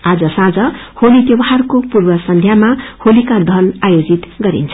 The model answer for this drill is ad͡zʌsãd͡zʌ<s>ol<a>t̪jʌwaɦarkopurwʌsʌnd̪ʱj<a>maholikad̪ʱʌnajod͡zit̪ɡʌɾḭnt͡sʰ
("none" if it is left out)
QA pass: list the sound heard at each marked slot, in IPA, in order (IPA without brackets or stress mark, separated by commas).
h, i, a